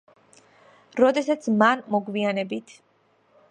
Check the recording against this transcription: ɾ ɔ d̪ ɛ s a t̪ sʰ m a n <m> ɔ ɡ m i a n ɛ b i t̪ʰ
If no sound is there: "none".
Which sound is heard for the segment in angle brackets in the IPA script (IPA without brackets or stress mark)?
m